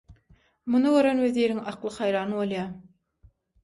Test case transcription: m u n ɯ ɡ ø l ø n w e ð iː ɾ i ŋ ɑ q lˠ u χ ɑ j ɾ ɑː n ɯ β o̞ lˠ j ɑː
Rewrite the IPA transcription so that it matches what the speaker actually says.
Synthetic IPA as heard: m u n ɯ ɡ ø ɾ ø n w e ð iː ɾ i ŋ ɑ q lˠ ɯ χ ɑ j ɾ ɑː n ɯ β o̞ lˠ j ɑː